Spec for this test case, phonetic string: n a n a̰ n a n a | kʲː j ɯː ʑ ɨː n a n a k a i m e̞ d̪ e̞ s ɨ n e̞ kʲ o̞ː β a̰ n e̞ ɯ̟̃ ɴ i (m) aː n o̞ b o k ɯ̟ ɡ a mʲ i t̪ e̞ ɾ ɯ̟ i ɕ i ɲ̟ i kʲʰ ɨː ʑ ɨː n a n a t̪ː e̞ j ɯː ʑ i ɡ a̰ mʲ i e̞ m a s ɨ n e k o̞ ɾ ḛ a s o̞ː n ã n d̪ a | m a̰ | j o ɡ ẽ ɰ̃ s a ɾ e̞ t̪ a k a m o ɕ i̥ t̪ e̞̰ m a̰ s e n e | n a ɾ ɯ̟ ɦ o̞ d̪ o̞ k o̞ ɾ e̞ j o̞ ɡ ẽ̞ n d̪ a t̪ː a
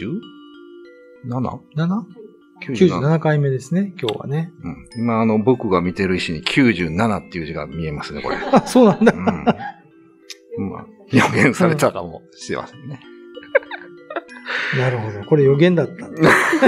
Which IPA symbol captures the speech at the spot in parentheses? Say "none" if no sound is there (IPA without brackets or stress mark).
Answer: m